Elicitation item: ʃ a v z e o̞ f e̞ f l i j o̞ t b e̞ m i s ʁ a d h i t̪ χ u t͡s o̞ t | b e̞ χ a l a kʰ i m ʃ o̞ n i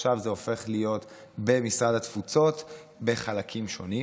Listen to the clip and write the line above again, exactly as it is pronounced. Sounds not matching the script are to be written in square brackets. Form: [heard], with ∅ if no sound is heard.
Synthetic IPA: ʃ a v z e o̞ f e̞ [χ] l i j o̞ t b e̞ m i s ʁ a d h [a] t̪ [f] u t͡s o̞ t | b e̞ χ a l a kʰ i m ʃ o̞ n i